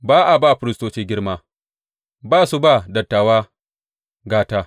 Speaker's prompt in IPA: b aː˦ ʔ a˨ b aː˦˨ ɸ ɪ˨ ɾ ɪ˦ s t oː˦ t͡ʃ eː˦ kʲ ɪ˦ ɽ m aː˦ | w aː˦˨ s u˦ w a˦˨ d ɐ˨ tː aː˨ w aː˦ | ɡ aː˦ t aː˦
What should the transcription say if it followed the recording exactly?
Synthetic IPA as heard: b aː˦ ʔ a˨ b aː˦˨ ɸ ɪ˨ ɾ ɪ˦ s t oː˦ t͡ʃ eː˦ ɡʲ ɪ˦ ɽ m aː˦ | b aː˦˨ s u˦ b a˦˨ d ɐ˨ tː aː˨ w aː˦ | ɡ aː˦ t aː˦